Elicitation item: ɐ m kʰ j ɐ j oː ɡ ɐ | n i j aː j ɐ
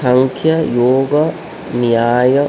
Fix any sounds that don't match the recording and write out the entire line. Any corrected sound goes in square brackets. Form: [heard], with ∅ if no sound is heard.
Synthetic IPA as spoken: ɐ [ŋ] kʰ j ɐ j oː ɡ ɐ | n i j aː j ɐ